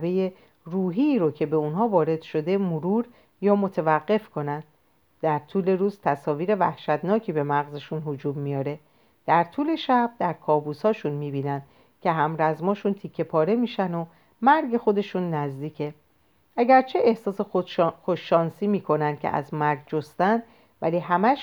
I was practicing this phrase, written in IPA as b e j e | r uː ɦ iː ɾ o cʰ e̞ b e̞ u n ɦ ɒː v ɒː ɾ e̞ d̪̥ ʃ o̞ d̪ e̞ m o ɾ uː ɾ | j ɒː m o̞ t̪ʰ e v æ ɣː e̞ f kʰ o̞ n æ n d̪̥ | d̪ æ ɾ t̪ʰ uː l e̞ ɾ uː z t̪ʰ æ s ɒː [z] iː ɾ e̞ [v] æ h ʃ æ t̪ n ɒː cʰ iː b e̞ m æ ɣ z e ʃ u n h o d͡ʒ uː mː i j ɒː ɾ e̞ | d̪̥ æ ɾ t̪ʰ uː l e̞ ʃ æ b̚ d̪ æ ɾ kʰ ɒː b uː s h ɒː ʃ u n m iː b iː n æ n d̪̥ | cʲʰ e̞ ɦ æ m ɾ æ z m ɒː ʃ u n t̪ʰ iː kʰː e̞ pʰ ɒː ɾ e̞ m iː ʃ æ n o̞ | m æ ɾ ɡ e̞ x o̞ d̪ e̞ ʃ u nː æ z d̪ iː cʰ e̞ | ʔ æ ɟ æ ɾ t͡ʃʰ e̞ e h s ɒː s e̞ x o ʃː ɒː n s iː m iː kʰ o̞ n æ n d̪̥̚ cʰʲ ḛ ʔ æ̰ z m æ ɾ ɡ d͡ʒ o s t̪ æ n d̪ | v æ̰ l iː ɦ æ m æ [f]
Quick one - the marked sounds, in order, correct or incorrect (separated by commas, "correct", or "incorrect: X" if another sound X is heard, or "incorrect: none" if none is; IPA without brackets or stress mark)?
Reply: incorrect: v, correct, incorrect: ʃ